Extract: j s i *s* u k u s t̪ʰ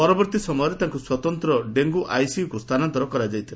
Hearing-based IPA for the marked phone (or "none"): none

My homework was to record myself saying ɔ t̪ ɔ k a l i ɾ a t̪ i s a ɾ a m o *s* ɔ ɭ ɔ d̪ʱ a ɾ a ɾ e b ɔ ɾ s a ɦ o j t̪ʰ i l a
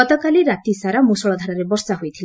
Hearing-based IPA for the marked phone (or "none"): s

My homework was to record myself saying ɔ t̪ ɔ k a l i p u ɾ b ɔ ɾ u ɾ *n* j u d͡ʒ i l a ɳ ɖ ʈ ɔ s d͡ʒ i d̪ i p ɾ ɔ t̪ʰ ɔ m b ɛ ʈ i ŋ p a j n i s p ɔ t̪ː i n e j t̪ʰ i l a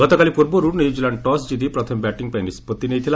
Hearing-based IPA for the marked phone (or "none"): n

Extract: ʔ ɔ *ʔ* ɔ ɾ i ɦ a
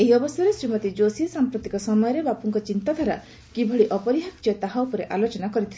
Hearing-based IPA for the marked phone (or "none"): p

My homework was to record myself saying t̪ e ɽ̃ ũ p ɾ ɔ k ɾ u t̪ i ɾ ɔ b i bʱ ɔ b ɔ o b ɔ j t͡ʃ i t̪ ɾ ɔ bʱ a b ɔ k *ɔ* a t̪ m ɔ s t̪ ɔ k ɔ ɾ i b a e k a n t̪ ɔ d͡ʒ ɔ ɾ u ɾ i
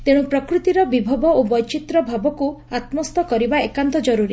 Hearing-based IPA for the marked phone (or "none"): u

